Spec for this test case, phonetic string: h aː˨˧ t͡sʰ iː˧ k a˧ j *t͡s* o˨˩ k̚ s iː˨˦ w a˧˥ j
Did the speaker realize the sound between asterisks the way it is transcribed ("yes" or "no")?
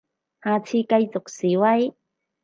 yes